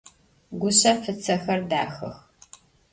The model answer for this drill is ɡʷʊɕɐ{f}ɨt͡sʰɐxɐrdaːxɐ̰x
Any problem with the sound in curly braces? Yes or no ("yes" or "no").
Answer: no